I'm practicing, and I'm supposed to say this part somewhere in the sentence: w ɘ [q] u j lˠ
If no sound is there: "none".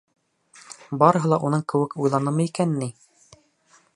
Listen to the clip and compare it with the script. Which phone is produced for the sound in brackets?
k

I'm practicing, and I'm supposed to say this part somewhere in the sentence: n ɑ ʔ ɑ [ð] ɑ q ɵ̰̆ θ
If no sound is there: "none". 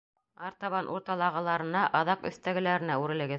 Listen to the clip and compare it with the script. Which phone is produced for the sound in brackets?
ð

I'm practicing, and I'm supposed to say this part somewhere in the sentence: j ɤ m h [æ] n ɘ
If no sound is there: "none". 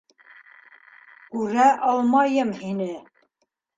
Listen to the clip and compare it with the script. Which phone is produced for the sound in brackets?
i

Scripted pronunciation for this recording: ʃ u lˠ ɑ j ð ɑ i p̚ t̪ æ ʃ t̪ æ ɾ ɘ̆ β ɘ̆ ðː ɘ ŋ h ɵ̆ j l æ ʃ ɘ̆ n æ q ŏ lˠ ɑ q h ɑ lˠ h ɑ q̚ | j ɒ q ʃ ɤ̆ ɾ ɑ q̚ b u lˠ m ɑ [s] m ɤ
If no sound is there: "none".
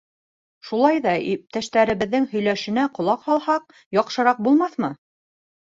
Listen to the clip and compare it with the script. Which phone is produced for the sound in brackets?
θ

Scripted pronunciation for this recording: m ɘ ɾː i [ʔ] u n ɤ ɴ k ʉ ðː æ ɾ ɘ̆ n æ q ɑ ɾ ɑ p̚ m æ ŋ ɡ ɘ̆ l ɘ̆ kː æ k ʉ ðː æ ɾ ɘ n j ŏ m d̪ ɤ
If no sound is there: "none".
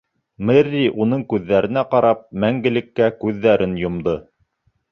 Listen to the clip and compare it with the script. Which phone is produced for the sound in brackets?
ʔ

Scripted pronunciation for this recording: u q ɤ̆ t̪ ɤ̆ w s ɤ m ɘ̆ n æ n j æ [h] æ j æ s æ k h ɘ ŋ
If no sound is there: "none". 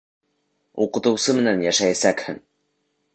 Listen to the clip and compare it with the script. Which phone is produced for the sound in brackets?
ʃ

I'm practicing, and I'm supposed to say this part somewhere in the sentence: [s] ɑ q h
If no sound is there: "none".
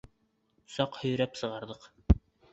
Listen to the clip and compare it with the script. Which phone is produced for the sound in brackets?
s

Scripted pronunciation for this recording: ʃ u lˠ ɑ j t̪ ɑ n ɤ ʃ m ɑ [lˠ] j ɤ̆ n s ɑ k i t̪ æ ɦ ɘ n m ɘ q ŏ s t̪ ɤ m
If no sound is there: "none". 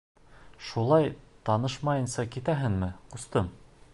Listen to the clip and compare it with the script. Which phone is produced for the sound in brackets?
none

